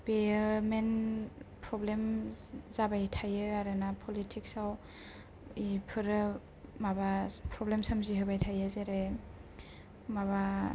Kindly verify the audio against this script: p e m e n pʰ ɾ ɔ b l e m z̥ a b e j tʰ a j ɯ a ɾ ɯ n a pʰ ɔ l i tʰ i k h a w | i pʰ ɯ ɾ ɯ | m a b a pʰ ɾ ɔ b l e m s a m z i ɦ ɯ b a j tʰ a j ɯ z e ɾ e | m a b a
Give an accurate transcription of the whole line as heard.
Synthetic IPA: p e m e n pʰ ɾ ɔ b l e m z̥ a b a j tʰ a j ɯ a ɾ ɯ n a pʰ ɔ l i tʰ i k s a w | i pʰ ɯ ɾ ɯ | m a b a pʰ ɾ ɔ b l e m s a m z i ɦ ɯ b a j tʰ a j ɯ z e ɾ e | m a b a